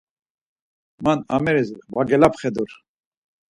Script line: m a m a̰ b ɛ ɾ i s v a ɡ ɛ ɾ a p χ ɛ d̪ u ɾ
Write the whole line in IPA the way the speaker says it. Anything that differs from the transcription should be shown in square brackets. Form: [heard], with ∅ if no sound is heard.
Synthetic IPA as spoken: m a [n] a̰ [m] ɛ ɾ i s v a ɡ ɛ [l] a p χ ɛ d̪ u ɾ